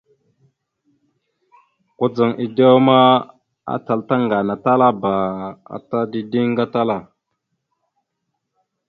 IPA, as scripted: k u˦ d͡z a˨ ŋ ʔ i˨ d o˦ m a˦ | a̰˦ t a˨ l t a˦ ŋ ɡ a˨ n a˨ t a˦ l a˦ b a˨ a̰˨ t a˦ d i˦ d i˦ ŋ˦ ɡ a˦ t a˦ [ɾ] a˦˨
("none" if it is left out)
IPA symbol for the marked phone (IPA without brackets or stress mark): l